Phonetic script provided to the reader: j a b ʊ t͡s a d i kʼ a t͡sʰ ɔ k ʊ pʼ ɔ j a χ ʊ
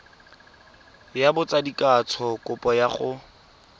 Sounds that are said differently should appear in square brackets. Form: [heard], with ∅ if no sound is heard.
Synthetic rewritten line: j a b ʊ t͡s a d i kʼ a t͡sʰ ɔ k ʊ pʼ ɔ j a χ ʊ